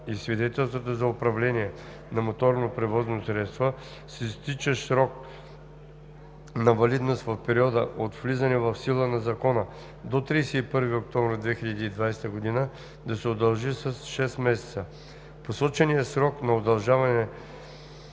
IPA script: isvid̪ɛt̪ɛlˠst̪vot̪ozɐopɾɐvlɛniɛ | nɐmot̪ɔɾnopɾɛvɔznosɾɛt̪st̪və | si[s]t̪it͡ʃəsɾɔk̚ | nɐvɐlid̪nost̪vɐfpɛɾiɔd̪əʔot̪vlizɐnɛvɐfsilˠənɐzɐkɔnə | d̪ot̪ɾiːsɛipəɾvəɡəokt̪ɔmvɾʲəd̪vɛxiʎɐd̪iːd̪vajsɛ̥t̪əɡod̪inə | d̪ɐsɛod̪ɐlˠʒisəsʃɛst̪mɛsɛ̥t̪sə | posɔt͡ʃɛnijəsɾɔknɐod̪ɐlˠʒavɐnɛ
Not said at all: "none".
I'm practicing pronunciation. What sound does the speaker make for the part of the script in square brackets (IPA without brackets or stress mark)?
s